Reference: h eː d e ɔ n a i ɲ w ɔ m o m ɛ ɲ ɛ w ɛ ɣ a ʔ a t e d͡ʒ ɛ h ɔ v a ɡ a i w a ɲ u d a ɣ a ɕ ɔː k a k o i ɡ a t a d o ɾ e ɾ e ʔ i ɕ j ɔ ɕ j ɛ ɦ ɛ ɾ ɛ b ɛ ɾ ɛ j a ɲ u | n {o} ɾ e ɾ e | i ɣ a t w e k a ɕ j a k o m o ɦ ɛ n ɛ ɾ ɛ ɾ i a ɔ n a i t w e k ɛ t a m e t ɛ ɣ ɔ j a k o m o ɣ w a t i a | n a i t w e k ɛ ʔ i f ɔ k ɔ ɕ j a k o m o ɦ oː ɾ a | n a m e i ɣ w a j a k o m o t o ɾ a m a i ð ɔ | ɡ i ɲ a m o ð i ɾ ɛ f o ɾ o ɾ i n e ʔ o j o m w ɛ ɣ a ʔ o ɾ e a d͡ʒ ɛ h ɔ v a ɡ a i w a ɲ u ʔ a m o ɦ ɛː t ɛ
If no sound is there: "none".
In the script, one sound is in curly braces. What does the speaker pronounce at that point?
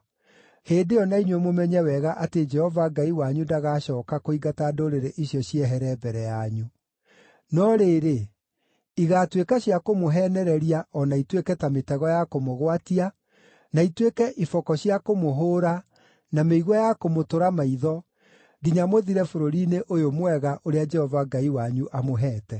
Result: ɔ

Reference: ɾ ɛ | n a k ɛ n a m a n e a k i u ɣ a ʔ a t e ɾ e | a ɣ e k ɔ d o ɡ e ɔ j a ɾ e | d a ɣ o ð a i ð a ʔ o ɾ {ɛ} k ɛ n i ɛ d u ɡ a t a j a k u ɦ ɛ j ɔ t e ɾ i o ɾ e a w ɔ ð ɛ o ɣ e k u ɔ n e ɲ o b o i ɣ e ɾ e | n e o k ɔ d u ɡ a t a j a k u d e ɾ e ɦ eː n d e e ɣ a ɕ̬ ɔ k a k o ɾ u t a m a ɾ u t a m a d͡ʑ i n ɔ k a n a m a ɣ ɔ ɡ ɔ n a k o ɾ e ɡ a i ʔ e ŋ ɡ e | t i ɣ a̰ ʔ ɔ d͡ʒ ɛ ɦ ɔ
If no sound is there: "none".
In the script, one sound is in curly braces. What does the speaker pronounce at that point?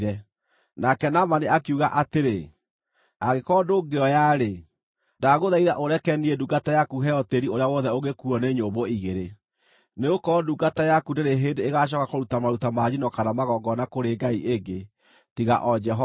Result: ɛ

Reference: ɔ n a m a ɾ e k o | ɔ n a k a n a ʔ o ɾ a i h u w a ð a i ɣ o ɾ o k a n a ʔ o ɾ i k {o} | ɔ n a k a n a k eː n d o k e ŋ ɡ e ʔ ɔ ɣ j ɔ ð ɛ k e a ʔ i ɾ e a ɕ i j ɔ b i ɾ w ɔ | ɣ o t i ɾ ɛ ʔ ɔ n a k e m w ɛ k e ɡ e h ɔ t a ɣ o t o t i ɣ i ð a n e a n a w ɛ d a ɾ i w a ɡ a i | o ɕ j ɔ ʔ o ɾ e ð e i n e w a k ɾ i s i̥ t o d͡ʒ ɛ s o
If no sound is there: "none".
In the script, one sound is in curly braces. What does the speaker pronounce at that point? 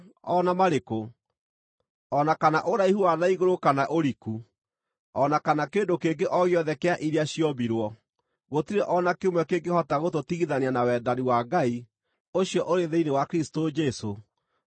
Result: u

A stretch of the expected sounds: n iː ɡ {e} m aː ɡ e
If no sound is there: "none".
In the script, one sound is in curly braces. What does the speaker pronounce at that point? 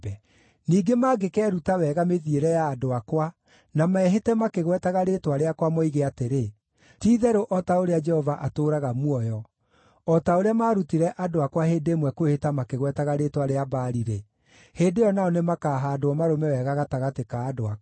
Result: e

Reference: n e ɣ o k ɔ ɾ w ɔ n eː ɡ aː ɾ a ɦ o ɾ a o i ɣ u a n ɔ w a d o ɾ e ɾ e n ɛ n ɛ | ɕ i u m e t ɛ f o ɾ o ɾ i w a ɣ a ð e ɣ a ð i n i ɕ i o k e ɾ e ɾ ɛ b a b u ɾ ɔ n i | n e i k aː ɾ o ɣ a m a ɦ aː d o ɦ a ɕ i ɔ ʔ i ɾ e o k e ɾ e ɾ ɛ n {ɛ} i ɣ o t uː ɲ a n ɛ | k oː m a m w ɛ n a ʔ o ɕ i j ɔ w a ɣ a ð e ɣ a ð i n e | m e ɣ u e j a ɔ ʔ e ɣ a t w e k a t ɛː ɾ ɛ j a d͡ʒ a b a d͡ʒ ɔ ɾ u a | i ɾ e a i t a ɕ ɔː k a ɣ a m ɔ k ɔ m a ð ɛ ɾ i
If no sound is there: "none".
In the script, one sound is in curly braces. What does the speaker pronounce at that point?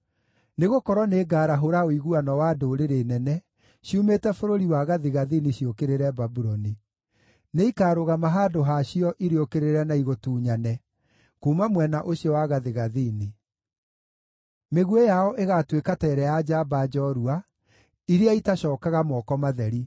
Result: a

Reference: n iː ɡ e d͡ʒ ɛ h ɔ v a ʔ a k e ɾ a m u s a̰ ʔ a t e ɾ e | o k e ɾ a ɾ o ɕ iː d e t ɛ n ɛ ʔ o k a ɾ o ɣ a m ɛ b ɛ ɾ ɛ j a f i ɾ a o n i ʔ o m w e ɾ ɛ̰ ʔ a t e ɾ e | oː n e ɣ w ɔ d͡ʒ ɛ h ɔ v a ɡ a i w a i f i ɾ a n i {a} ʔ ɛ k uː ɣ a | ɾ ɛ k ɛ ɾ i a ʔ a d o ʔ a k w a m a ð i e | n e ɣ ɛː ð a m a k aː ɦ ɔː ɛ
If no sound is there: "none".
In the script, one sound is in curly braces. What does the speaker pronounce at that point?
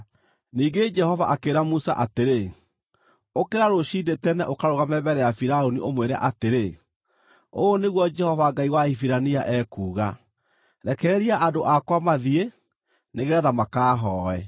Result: a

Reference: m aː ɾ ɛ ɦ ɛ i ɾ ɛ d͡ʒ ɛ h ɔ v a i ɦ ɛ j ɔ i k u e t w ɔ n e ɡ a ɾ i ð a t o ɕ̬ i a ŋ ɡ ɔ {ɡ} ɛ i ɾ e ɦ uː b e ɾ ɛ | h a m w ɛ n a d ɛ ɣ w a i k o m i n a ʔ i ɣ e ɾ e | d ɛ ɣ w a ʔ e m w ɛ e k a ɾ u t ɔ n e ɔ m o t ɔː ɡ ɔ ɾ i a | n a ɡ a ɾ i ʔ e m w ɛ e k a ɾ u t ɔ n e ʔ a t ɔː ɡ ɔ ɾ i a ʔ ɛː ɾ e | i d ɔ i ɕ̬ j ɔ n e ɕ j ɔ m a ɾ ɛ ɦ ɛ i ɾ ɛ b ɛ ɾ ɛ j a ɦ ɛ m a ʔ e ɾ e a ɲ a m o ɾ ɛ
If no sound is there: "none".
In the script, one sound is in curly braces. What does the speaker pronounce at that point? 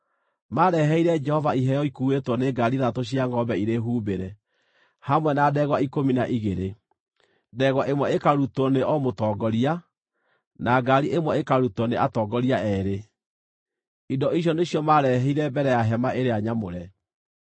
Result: b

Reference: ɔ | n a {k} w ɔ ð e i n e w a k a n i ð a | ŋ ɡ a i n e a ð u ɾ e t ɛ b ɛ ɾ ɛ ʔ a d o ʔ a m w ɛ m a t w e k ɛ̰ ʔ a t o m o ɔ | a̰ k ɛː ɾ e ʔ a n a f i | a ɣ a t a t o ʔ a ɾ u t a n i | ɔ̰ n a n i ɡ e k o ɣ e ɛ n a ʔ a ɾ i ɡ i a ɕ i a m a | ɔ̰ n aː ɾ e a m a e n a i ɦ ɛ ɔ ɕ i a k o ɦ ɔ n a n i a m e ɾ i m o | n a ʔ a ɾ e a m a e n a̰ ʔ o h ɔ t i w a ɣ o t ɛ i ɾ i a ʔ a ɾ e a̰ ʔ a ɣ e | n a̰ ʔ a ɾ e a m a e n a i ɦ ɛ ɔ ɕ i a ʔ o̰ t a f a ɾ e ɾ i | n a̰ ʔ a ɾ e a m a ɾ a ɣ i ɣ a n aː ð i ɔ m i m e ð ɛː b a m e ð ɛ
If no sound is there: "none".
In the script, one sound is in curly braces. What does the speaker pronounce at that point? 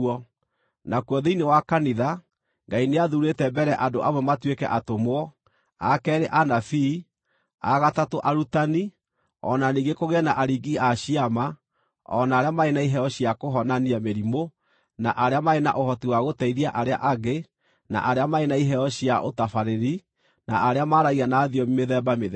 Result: k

